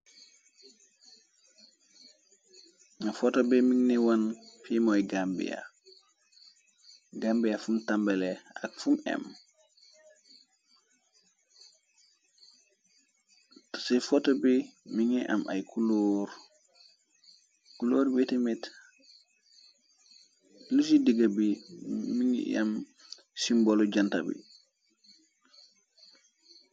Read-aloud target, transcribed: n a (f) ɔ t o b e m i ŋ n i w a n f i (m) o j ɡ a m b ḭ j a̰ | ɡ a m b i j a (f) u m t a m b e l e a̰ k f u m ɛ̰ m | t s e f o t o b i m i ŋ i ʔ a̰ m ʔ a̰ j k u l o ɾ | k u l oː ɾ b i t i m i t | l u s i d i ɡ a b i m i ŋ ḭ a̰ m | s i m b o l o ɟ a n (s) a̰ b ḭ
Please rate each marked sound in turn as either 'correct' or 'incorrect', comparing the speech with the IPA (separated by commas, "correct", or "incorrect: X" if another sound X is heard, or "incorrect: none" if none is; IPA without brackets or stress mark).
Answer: correct, correct, correct, incorrect: t